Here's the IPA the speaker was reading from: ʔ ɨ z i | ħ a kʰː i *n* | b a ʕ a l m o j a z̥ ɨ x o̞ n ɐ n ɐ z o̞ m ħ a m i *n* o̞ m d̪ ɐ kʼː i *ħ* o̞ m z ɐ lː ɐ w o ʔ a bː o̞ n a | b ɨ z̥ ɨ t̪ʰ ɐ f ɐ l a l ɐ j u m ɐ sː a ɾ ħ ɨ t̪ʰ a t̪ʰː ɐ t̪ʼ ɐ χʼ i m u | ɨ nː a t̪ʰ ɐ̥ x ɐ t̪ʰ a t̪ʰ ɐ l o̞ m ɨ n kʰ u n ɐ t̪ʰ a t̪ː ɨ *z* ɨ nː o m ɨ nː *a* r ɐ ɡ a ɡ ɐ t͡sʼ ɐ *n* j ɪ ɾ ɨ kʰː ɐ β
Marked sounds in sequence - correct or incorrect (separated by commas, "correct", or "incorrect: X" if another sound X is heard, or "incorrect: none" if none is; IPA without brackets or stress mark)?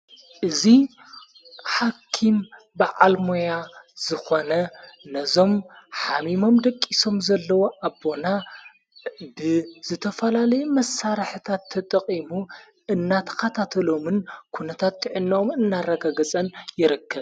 incorrect: m, incorrect: m, incorrect: s, incorrect: ʕ, correct, correct